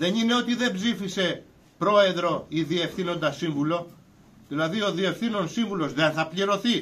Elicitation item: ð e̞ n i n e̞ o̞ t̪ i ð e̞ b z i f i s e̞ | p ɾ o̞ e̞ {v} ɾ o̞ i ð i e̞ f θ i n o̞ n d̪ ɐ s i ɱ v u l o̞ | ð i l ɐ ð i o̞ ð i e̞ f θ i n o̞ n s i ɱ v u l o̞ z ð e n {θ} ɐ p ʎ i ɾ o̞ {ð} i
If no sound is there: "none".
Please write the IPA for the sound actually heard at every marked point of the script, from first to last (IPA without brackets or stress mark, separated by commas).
ð, θ, θ